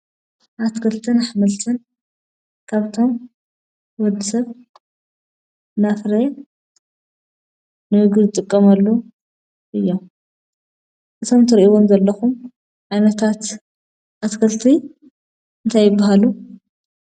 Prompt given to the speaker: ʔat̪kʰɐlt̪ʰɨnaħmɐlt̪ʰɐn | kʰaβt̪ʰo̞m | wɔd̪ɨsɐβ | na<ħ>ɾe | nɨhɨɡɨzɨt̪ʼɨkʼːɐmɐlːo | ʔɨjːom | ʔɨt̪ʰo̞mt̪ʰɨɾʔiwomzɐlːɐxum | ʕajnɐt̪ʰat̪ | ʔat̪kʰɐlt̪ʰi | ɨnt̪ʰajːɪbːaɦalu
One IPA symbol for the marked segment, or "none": f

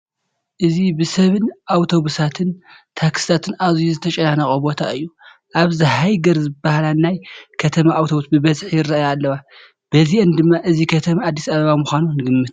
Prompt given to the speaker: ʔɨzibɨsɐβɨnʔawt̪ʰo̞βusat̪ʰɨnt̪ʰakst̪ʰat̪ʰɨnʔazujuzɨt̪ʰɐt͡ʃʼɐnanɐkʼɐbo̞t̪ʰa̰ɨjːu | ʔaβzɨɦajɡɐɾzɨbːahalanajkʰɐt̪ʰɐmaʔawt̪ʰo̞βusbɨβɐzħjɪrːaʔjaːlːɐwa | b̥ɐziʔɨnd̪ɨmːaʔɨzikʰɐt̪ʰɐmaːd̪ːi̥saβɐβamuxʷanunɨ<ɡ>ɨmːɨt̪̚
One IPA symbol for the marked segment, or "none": ɡ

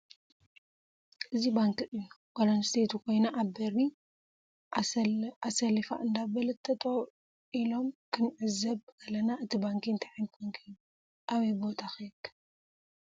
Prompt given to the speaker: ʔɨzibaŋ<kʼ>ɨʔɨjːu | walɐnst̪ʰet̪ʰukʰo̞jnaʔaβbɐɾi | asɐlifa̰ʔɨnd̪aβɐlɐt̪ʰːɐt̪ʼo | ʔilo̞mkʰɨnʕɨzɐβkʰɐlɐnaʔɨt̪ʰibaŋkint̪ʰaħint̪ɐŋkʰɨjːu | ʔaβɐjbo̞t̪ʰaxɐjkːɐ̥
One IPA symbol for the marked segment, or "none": k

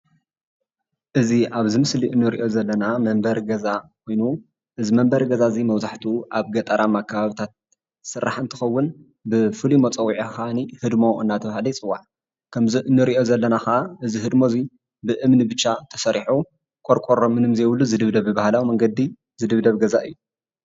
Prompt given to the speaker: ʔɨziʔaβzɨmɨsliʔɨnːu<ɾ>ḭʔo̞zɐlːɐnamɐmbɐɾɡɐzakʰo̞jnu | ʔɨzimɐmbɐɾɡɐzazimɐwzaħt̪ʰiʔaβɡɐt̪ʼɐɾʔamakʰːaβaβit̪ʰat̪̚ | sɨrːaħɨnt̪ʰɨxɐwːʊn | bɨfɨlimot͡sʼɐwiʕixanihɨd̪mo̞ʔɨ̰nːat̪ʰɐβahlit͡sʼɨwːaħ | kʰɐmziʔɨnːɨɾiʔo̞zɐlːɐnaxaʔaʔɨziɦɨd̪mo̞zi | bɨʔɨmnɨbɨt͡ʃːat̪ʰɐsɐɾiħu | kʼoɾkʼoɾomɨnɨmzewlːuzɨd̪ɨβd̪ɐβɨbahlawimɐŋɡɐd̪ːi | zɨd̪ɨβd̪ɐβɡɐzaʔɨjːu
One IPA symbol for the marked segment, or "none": ɾ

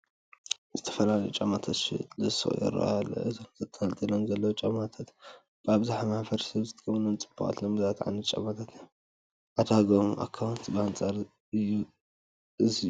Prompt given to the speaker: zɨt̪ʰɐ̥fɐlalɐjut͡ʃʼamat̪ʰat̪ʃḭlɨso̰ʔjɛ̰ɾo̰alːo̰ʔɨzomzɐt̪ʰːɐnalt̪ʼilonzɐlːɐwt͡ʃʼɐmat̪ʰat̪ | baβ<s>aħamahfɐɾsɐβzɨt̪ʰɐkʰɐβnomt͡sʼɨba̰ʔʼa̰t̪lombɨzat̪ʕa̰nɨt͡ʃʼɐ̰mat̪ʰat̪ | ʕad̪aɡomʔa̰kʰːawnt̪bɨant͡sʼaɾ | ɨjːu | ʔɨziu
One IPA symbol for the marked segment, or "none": z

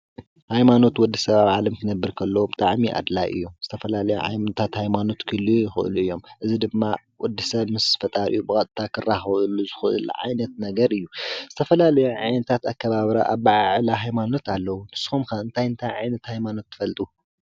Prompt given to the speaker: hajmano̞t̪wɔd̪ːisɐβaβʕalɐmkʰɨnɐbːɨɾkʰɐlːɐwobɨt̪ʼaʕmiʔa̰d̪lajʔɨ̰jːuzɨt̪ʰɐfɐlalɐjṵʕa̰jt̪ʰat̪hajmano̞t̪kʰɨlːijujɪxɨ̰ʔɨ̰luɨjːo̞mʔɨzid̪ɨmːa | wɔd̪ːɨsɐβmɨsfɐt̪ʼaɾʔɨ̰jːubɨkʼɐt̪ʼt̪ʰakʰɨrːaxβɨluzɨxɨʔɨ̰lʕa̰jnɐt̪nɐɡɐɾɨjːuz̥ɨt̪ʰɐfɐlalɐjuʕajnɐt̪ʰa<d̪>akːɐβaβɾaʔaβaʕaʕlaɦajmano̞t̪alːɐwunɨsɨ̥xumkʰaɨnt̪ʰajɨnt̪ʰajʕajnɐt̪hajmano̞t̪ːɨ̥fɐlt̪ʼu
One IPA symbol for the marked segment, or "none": t̪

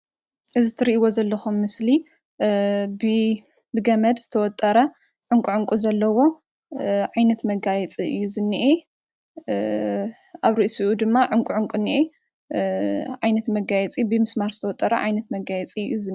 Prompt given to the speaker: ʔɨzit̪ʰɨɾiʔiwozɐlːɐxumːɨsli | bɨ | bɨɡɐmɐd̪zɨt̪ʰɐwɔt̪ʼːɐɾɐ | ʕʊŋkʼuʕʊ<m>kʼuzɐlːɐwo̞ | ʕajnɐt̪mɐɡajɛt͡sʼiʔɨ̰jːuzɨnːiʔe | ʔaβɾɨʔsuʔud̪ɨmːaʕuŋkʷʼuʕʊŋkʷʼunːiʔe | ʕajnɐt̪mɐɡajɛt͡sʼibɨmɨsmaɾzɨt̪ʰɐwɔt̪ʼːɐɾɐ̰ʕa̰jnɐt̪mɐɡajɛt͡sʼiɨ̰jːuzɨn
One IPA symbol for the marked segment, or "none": ŋ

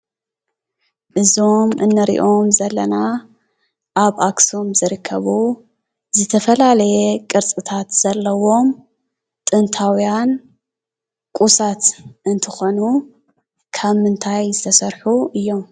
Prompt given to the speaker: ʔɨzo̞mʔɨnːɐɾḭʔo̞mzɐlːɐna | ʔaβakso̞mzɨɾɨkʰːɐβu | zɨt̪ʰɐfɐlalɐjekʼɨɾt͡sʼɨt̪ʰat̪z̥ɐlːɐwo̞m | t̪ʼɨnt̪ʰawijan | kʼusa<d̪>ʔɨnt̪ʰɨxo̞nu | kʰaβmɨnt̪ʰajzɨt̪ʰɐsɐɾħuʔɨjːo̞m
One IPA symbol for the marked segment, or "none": t̪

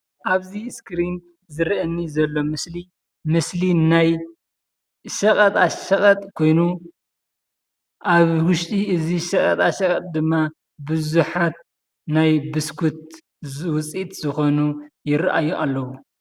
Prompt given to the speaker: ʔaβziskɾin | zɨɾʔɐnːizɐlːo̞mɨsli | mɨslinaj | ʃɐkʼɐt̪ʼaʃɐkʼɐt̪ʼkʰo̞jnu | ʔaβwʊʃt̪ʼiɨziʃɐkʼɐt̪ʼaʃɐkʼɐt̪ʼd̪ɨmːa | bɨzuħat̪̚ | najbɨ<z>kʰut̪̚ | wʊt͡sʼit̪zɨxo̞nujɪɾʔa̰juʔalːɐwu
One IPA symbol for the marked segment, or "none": s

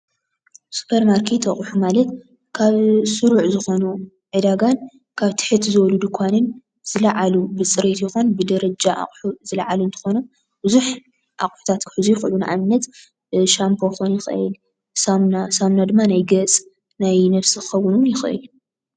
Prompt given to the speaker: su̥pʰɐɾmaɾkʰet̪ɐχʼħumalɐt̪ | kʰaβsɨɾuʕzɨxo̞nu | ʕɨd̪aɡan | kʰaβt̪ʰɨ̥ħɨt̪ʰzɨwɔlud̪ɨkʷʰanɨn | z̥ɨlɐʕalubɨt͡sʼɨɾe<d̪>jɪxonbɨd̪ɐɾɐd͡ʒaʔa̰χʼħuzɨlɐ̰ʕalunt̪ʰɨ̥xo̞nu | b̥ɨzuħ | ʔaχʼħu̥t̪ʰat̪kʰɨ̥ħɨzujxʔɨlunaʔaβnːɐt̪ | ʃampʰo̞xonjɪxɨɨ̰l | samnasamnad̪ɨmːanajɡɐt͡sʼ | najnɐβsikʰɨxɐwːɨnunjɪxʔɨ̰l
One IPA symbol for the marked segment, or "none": t̪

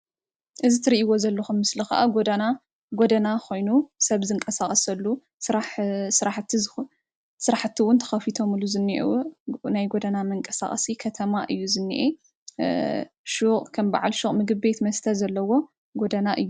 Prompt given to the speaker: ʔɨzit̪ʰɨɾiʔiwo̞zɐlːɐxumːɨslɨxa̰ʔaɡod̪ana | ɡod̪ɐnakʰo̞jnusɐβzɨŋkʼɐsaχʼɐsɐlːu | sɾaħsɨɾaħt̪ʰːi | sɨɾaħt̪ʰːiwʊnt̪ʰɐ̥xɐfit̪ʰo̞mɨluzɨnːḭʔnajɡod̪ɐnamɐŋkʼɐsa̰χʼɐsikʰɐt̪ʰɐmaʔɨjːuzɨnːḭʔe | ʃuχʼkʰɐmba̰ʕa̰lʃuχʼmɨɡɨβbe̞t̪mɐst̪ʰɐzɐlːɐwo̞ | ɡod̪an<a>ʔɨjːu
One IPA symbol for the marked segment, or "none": a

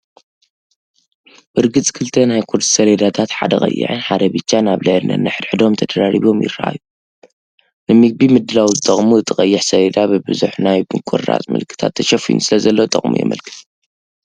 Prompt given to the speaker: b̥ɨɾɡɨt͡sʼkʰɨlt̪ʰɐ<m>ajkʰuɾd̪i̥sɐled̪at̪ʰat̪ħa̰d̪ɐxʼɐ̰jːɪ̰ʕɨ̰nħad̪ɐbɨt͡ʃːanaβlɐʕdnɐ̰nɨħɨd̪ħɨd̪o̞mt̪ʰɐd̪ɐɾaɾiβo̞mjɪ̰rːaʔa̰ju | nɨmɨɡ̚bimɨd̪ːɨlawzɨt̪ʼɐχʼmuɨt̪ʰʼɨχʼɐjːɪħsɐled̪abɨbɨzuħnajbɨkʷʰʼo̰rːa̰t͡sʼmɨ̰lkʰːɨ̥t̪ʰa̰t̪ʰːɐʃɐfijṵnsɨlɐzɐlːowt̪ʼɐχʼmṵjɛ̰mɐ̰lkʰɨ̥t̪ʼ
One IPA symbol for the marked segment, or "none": n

